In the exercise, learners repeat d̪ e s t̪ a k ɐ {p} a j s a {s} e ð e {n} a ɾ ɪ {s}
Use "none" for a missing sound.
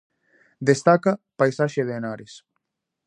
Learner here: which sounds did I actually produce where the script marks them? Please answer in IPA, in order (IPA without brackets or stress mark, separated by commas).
p, ʃ, n, s